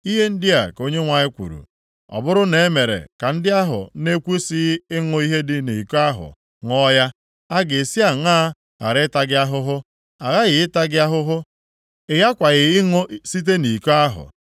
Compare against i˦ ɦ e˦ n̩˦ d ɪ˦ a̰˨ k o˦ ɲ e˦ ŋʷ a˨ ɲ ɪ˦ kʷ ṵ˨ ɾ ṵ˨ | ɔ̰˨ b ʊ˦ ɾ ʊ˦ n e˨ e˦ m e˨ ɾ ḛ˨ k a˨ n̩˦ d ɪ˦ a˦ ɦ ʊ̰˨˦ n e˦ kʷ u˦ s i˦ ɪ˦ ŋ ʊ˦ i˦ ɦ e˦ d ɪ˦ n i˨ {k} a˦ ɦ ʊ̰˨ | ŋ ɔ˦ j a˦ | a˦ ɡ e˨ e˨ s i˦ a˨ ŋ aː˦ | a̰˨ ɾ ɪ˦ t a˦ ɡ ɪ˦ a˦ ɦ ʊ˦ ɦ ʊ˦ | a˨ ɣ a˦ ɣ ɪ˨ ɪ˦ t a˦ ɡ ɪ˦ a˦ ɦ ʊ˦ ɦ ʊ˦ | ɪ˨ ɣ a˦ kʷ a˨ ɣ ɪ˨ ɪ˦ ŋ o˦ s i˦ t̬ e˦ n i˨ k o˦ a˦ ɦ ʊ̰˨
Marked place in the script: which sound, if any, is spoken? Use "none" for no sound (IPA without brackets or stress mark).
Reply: k